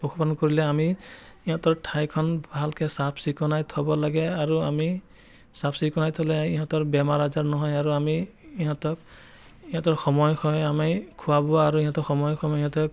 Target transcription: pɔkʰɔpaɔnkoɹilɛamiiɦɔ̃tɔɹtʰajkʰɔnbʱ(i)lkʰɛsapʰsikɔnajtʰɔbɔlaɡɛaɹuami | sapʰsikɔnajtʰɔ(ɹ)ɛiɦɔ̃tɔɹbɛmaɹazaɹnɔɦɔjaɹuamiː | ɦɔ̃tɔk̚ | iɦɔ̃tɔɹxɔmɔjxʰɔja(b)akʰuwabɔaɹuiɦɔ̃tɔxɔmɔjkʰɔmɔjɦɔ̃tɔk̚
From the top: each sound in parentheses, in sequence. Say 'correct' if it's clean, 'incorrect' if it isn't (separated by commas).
incorrect, incorrect, incorrect